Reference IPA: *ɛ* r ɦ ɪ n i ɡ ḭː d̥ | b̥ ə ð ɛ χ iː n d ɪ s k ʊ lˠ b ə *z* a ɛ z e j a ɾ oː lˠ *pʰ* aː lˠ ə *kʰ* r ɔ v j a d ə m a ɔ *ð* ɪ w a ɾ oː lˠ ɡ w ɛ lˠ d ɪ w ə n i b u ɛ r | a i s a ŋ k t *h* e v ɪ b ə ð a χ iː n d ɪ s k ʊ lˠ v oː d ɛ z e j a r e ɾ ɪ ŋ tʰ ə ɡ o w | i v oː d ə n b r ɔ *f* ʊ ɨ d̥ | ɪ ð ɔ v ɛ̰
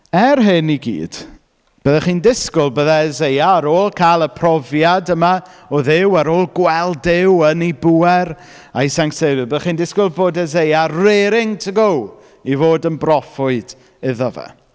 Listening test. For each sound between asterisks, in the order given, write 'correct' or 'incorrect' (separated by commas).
correct, incorrect, incorrect, incorrect, correct, incorrect, correct